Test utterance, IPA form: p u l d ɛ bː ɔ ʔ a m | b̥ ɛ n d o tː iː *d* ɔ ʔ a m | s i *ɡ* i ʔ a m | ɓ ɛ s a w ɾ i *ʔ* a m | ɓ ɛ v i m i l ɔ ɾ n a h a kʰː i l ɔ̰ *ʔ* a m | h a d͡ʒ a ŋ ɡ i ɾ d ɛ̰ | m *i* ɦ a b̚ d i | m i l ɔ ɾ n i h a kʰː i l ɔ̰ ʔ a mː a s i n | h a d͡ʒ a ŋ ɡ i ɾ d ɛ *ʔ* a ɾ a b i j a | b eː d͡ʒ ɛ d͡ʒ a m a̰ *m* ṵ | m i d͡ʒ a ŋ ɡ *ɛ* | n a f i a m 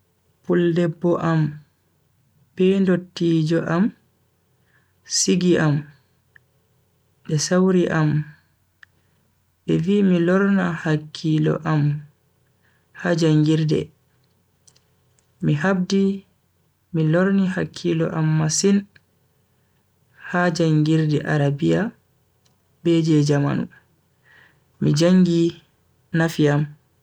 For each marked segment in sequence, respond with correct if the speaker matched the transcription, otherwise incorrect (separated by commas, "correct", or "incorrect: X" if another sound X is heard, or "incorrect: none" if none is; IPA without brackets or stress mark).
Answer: incorrect: d͡ʒ, correct, correct, correct, correct, correct, incorrect: n, incorrect: i